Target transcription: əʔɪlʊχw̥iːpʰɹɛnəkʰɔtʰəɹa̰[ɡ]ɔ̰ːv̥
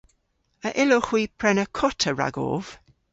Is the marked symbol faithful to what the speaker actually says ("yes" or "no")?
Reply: yes